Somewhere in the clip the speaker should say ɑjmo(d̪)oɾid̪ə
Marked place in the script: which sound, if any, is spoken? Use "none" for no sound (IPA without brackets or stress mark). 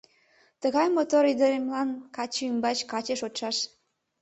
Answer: t̪